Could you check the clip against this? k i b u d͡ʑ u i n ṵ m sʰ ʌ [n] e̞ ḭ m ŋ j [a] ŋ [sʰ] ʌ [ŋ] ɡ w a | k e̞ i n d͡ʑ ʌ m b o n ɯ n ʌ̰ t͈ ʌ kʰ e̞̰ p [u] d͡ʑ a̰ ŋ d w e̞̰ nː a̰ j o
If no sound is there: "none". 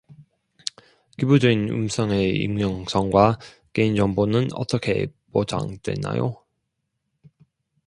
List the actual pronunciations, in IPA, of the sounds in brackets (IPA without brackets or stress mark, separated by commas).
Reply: ŋ, ʌ, sʰ, ŋ, o